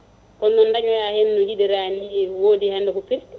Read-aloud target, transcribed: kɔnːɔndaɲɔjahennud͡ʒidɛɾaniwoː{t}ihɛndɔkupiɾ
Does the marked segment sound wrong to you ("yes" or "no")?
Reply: yes